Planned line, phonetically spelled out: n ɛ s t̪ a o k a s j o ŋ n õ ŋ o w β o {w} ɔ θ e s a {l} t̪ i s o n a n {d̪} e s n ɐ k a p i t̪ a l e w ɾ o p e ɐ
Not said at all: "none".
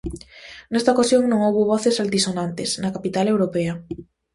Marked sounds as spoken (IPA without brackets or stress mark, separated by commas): β, l, t̪